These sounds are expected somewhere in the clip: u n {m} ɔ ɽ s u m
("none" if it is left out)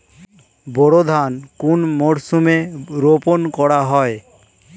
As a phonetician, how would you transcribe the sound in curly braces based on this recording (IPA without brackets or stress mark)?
m